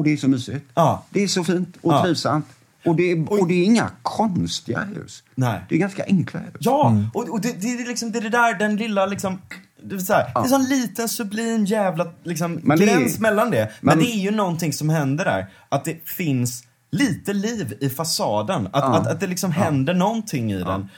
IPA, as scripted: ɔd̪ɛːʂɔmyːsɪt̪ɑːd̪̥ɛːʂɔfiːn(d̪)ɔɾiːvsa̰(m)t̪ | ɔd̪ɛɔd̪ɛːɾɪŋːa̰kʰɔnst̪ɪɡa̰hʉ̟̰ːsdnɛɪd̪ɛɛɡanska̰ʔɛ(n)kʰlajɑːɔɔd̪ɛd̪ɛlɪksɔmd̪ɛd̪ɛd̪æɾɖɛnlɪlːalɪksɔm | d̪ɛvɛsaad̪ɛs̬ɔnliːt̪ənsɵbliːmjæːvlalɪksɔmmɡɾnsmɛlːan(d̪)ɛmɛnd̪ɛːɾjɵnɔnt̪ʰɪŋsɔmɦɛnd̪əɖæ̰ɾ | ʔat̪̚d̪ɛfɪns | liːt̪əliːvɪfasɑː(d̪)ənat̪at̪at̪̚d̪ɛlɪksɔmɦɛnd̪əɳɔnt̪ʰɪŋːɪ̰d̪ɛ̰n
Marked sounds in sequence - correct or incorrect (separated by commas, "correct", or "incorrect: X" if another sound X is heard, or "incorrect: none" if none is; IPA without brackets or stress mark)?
incorrect: t̪, correct, incorrect: ŋ, correct, correct